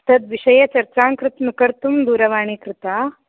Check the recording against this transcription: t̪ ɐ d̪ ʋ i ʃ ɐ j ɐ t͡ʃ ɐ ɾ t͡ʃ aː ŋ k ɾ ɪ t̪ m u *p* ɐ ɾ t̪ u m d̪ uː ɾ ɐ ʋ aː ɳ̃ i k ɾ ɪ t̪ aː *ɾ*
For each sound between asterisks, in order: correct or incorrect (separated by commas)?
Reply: incorrect, incorrect